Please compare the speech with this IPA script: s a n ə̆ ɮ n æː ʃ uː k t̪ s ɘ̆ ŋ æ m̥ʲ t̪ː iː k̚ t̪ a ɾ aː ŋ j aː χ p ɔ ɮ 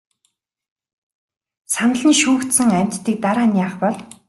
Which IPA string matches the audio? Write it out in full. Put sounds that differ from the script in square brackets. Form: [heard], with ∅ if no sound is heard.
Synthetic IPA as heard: s a n ə̆ ɮ n [iː] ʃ uː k t̪ s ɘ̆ ŋ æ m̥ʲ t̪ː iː k̚ t̪ a ɾ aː [n] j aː χ p ɔ ɮ